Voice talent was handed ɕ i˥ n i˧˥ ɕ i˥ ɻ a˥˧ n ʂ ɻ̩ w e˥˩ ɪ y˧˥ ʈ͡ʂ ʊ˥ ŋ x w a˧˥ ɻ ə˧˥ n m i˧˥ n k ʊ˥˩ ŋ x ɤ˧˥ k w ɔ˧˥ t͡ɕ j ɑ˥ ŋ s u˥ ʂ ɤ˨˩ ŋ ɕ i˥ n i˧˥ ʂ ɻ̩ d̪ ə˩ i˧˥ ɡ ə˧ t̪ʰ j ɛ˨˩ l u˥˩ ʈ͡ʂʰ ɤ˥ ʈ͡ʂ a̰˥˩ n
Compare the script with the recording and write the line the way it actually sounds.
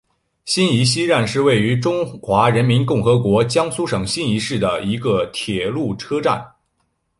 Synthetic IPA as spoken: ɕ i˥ n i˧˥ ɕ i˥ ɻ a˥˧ n ʂ ɻ̩ w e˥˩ ɪ y˧˥ ʈ͡ʂ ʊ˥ ŋ x w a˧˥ ɻ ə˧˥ n m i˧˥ n k ʊ˥˩ ŋ x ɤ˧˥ k w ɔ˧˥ t͡ɕ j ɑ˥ ŋ s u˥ ʂ ɤ˨˩ ŋ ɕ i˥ n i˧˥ ʂ ɻ̩ d̪ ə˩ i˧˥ ɡ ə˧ t̪ʰ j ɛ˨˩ l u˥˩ ʈ͡ʂʰ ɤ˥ ʈ͡ʂ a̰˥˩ n